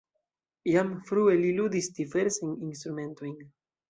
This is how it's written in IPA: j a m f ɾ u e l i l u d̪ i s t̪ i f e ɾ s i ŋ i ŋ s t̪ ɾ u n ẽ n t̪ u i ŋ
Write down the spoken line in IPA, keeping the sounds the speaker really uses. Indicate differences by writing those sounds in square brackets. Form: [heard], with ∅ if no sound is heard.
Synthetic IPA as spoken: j a m f ɾ u e l i l u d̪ i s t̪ i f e ɾ s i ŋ i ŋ s t̪ ɾ u [m] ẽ n t̪ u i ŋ